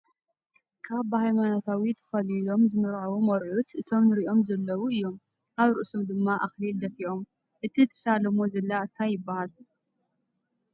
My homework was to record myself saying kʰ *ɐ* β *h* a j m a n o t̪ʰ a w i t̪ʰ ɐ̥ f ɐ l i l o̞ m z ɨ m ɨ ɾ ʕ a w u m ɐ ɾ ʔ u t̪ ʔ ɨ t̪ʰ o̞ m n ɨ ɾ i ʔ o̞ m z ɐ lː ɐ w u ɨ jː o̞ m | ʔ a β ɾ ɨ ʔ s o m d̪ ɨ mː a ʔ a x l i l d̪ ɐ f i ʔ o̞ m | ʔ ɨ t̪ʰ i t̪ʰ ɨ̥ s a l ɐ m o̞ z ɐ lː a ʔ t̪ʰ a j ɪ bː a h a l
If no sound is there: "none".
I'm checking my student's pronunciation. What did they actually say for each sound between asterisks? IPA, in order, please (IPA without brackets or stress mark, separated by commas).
a, h